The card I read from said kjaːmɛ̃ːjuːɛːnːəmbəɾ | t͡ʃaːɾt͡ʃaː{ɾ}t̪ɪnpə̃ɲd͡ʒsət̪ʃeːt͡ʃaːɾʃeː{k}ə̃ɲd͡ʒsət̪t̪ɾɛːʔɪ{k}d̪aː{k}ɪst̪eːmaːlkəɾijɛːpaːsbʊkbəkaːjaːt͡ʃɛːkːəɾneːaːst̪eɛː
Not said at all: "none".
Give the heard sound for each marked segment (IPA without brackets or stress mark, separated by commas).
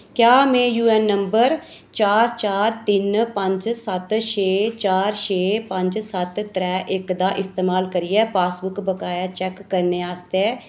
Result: ɾ, p, k, ʔ